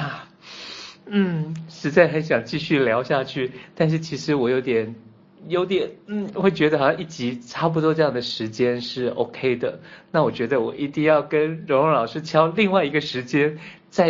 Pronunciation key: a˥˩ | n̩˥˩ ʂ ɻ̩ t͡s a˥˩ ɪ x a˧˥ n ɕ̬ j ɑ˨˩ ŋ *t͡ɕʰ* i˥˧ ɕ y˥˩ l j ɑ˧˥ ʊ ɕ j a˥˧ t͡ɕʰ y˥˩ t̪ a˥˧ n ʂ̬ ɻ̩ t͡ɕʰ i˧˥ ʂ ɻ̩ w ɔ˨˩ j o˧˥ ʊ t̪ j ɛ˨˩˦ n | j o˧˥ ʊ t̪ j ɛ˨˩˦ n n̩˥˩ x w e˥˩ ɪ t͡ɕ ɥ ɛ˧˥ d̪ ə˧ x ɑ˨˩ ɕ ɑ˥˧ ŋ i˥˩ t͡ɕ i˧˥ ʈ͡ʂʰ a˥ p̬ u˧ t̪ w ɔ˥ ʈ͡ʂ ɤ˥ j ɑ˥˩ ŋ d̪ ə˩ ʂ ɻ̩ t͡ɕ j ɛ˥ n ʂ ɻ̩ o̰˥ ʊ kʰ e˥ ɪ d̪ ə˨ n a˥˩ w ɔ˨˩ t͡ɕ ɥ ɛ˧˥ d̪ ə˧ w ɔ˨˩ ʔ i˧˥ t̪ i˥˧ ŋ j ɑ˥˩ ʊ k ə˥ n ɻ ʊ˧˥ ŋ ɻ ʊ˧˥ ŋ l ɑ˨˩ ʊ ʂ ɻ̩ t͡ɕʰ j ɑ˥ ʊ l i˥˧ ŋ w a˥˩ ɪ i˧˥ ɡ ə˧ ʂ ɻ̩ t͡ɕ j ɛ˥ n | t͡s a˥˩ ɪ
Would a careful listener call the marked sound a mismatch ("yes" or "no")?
yes